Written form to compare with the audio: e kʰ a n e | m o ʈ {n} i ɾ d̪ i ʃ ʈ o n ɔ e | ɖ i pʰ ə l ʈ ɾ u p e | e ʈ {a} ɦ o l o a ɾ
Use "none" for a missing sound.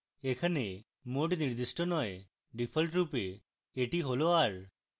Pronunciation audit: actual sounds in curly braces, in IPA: n, i

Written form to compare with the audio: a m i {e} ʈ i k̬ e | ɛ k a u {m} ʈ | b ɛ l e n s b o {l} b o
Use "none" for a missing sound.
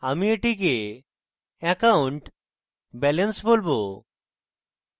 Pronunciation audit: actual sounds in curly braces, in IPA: e, ɳ, l

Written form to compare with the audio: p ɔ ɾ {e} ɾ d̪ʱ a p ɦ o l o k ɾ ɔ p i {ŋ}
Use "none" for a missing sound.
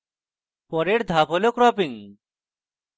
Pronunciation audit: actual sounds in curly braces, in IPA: e, ŋ

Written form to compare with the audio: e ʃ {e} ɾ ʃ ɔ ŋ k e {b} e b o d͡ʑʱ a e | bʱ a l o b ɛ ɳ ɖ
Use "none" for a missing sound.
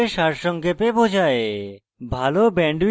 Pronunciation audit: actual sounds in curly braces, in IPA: a, p

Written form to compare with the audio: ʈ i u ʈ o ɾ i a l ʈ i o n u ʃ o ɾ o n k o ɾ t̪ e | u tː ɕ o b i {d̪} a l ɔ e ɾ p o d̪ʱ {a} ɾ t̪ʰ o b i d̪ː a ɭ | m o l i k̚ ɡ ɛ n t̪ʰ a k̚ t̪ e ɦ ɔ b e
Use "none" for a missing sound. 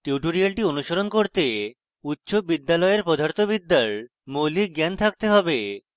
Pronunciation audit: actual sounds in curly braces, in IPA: d̪ː, a

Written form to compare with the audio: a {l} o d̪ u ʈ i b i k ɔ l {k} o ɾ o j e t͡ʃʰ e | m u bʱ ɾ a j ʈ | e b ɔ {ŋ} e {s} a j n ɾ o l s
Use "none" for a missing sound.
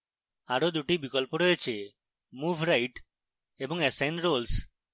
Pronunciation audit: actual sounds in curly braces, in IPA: ɾ, p, ŋ, s

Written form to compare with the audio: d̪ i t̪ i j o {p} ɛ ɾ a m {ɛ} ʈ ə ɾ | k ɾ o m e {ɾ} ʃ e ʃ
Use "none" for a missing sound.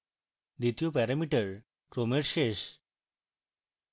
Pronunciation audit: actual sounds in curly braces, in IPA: p, i, ɾ

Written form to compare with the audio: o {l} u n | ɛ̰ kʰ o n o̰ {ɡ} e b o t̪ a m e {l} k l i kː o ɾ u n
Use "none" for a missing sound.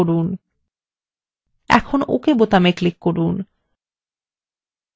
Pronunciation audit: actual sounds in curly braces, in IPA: ɾ, k, none

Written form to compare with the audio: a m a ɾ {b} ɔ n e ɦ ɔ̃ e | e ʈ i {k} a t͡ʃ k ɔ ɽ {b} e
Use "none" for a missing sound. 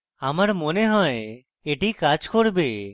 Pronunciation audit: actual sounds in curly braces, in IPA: m, k, b

